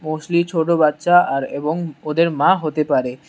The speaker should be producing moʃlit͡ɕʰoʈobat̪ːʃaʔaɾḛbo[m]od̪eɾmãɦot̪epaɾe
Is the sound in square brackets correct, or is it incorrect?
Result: incorrect